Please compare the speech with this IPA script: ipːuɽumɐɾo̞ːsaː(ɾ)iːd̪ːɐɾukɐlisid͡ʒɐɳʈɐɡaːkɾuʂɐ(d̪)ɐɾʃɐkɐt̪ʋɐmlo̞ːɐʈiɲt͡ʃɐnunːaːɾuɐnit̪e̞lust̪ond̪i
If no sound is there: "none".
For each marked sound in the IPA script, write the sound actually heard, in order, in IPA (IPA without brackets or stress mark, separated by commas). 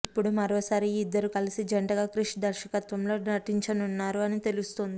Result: ɾ, d̪